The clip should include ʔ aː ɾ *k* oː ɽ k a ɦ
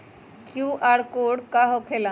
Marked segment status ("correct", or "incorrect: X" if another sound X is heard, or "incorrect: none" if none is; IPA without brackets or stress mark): correct